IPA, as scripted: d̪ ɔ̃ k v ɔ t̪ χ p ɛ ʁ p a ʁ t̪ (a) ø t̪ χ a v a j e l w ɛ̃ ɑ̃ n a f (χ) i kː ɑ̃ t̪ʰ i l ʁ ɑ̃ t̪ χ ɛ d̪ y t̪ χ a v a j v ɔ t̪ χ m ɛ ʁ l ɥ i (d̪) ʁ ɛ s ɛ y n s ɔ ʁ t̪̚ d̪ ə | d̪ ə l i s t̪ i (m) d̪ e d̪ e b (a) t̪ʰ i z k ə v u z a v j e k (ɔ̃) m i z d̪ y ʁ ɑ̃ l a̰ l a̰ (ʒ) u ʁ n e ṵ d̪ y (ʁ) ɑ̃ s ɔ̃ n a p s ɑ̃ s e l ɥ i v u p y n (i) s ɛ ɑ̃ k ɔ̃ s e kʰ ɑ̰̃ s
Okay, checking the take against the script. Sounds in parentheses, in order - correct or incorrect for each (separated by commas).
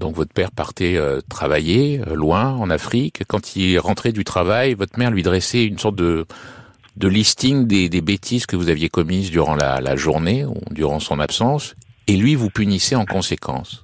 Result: incorrect, correct, correct, incorrect, incorrect, incorrect, correct, correct, correct